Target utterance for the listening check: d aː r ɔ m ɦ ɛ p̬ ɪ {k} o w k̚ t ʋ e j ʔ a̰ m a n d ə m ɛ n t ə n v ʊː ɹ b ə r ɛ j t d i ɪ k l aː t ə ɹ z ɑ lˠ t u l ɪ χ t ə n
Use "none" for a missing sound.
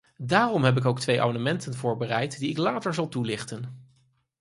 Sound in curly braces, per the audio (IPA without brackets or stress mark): k